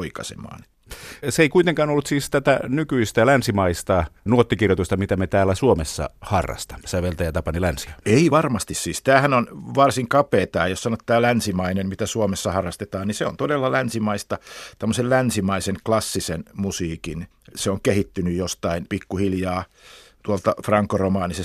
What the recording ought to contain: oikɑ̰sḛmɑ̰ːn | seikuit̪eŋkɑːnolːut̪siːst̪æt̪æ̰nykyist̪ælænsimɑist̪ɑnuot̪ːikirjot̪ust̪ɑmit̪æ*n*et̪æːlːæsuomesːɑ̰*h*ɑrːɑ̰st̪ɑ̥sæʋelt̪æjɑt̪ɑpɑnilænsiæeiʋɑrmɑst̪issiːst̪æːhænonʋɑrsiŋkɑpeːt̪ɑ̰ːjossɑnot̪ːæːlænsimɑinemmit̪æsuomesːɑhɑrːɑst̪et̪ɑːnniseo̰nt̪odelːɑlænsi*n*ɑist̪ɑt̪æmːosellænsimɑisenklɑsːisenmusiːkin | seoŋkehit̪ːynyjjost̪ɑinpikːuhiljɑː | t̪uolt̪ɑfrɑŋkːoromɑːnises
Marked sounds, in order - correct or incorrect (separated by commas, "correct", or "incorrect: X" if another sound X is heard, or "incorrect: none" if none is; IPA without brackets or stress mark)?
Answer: incorrect: m, correct, incorrect: m